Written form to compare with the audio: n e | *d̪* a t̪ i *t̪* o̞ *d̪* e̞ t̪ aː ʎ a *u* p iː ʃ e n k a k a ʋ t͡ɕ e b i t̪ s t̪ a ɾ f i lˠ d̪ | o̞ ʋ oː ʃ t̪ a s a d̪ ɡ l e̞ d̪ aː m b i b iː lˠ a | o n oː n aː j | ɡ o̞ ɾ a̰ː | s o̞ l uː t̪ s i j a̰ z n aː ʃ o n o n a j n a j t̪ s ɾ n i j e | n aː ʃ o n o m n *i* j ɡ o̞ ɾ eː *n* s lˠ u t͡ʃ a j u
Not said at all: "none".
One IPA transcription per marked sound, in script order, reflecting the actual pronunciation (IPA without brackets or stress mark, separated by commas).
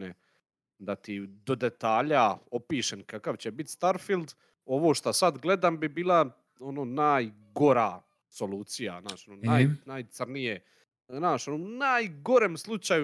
d̪, d̪, d̪, o, a, m